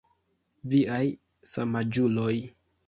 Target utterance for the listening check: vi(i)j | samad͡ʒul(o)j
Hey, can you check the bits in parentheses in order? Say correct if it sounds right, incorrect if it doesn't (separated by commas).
incorrect, correct